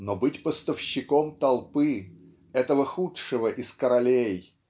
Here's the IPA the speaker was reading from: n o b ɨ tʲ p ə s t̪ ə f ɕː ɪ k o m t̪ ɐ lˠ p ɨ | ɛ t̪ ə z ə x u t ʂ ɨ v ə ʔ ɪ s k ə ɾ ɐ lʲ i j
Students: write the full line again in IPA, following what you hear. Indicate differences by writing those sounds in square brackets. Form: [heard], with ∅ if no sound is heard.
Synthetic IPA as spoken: n o b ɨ tʲ p ə s t̪ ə f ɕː ɪ k o m t̪ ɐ lˠ p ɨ | ɛ t̪ ə [v] ə x u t ʂ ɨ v ə ʔ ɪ s k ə ɾ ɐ lʲ [e] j